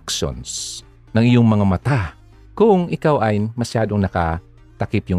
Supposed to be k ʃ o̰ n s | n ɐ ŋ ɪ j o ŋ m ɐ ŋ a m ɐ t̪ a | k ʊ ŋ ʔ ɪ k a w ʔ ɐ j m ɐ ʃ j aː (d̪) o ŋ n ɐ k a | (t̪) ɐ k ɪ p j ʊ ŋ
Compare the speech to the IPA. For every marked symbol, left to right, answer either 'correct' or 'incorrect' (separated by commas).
correct, correct